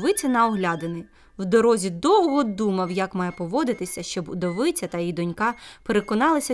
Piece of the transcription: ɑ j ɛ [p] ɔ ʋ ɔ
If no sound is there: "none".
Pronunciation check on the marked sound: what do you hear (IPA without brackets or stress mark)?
p